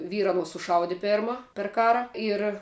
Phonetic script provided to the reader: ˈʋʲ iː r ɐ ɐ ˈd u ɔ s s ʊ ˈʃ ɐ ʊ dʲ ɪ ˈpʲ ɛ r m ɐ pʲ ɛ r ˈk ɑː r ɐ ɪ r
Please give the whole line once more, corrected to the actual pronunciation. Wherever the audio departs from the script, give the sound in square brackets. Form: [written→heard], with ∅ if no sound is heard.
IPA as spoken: ˈʋʲ iː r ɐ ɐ [ˈd→ˈn] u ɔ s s ʊ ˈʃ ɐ ʊ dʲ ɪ ˈpʲ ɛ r m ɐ pʲ ɛ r ˈk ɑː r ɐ ɪ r